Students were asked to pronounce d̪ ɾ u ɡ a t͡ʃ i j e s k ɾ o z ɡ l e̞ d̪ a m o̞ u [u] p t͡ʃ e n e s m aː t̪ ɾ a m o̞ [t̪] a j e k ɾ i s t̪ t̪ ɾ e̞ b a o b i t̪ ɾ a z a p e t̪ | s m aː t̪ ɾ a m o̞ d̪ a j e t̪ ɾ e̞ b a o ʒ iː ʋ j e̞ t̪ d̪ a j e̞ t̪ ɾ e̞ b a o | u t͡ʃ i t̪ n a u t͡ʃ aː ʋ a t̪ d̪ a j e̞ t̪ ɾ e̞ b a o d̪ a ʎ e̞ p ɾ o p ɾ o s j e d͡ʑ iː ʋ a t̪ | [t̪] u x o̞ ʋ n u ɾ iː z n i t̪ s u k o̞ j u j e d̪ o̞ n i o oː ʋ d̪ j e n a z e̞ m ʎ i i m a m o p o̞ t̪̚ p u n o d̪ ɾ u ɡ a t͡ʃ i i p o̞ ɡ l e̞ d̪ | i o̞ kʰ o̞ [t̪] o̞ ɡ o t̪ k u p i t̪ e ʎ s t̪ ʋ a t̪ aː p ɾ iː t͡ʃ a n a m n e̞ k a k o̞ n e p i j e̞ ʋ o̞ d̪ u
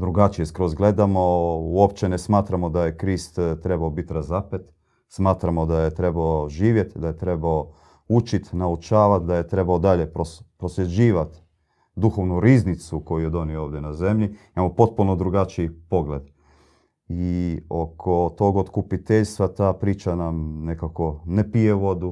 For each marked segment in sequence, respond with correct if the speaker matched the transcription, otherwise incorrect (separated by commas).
incorrect, incorrect, incorrect, correct